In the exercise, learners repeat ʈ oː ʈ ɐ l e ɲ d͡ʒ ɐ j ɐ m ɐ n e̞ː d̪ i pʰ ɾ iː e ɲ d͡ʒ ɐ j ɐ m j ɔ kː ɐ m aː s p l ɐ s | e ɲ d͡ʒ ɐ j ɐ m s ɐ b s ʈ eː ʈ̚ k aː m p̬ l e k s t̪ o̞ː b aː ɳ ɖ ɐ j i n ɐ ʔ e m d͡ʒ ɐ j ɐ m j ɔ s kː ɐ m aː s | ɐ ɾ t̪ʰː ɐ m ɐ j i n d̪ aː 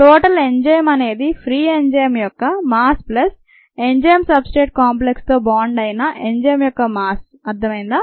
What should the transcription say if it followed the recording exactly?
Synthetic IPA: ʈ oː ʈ ɐ l e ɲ d͡ʒ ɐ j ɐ m ɐ n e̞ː d̪ i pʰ ɾ iː e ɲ d͡ʒ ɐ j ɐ m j ɔ kː ɐ m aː s p l ɐ s | e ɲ d͡ʒ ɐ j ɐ m s ɐ b s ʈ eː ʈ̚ k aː m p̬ l e k s t̪ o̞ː b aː ɳ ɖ ɐ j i n ɐ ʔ e ɲ d͡ʒ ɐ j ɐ m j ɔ kː ɐ m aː s | ɐ ɾ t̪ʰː ɐ m ɐ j i n d̪ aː